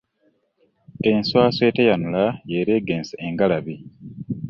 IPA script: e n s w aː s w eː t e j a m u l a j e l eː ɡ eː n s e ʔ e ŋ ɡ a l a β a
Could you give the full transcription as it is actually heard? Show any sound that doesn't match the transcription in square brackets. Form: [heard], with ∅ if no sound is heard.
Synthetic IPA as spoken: e n s w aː s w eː t e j a [n] u l a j e [ɾ] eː ɡ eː n s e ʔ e ŋ ɡ a l a β [i]